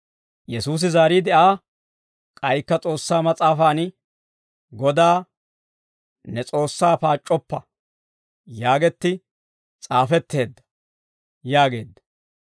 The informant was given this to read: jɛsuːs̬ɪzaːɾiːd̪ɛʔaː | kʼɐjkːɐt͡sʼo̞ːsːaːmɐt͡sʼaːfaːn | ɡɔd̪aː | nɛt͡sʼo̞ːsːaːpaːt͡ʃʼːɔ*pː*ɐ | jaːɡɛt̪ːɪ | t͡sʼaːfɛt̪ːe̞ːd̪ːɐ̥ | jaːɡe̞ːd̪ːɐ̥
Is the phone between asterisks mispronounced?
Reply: no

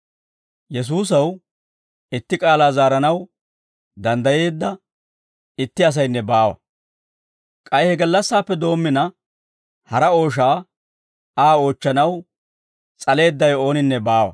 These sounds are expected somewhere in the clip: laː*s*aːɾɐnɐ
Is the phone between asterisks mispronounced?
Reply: yes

